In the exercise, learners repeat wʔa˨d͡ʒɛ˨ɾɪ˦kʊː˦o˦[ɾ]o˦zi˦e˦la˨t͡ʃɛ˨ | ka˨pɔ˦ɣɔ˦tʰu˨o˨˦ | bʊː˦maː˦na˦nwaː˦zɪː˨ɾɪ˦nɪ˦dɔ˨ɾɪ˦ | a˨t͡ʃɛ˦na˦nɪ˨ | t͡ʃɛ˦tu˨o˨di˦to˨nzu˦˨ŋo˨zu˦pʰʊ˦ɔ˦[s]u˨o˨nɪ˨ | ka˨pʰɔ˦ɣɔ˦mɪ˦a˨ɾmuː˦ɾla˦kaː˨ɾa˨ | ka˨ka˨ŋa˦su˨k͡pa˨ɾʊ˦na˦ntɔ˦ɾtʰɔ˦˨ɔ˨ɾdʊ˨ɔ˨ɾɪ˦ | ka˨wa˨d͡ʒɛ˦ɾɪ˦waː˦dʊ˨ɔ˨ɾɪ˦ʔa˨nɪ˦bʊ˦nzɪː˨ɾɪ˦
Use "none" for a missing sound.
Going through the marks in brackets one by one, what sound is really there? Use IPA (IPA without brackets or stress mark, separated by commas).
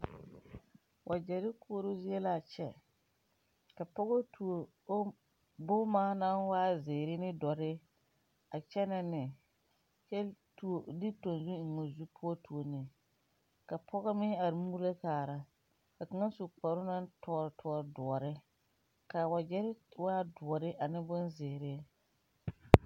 ɾ, t